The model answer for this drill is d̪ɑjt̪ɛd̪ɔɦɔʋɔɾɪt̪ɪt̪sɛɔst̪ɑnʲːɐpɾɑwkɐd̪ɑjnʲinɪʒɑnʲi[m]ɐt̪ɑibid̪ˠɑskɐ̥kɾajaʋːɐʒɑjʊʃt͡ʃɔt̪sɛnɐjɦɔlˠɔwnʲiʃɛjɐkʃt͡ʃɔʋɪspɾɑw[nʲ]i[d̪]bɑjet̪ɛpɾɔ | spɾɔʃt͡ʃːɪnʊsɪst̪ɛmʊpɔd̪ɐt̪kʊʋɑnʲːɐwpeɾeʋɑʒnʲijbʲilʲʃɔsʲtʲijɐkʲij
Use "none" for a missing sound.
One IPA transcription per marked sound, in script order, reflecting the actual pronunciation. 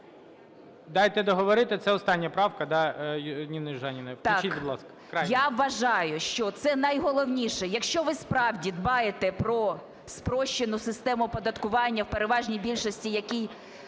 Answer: n, dʲ, d̪

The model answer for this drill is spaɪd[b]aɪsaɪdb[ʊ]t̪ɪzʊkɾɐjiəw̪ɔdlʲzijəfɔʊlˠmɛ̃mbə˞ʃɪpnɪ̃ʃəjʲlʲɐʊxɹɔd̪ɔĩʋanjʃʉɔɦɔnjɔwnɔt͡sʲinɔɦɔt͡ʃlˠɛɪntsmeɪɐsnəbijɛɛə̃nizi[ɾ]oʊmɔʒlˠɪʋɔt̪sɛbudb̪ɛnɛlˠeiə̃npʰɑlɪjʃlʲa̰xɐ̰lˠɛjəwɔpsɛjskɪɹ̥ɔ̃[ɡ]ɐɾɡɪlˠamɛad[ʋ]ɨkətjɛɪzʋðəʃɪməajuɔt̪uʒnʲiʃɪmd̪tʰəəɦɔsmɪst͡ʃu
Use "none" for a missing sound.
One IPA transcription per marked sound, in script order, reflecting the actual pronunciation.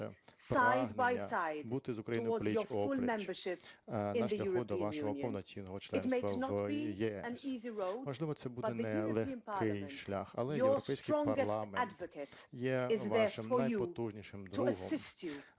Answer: b, u, ɹ, ŋ, v

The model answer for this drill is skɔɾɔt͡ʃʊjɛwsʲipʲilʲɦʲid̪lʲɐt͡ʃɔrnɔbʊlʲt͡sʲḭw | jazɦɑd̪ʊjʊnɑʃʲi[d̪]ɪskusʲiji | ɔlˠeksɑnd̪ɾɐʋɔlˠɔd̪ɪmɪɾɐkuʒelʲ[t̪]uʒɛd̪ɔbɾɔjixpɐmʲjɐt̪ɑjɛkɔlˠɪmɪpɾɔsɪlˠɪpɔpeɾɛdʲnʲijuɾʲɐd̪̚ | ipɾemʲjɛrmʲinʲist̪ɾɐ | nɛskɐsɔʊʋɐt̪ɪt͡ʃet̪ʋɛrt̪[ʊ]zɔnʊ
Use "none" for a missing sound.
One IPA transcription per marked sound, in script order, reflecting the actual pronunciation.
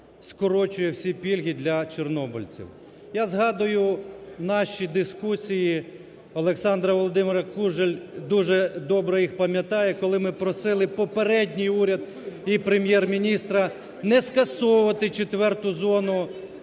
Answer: d̪, d̪, ʊ

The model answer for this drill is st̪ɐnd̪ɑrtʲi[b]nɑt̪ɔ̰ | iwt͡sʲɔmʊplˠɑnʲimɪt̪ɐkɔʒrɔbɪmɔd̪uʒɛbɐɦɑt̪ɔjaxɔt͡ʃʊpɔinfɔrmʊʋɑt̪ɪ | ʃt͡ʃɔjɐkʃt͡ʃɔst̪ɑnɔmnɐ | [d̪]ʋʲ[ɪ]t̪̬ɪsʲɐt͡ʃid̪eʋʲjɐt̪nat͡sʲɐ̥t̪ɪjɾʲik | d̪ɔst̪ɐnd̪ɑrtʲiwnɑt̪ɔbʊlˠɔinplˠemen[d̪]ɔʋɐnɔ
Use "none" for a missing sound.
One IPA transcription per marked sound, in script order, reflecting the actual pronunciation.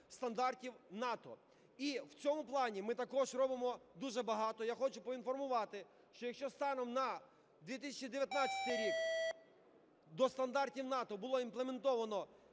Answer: w, d̪, i, t̪

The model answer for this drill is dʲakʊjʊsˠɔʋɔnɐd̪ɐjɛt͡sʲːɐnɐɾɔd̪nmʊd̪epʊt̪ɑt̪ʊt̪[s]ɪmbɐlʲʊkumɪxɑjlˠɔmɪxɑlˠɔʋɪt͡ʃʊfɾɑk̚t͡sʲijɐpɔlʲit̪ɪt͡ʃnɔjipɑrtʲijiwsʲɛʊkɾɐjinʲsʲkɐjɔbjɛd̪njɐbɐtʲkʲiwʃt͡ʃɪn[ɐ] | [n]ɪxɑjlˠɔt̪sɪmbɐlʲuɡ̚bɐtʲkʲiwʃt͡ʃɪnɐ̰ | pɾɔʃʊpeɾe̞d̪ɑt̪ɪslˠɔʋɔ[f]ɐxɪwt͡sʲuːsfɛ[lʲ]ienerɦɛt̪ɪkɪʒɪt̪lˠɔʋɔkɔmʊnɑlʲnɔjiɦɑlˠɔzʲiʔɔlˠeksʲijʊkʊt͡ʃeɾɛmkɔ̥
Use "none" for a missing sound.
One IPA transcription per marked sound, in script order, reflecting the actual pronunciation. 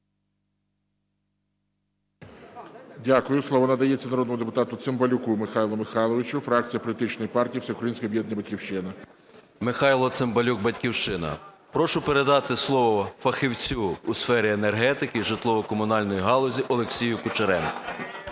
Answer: s, ɐ, m, f, ɾʲ

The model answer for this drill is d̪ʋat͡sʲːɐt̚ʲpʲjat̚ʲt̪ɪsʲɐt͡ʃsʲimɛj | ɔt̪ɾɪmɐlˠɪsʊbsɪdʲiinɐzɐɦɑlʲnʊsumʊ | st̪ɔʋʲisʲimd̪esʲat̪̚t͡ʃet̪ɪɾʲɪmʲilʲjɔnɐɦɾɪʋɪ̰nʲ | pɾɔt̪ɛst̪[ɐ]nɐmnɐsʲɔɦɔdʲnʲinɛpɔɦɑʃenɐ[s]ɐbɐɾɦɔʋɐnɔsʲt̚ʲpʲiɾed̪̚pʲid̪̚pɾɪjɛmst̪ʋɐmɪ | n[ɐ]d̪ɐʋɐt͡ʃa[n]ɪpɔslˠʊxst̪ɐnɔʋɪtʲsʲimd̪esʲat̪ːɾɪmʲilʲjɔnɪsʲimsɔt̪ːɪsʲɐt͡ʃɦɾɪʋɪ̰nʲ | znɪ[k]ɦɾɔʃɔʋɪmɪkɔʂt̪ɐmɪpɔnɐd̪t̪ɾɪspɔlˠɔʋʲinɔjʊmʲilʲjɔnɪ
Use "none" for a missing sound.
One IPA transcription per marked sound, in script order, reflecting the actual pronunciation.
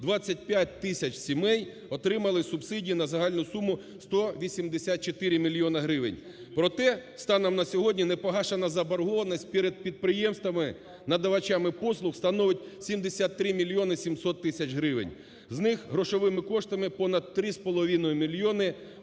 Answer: ɑ, z, ɐ, m, x

